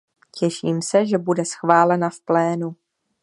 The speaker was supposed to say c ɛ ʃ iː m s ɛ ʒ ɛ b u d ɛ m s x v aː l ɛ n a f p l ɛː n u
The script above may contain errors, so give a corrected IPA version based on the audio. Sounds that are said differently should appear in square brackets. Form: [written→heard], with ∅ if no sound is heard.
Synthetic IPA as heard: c ɛ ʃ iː m s ɛ ʒ ɛ b u d ɛ [m→∅] s x v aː l ɛ n a f p l ɛː n u